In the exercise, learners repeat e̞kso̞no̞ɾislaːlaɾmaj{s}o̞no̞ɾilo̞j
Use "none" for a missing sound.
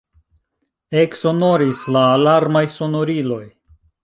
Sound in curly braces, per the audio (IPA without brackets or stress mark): s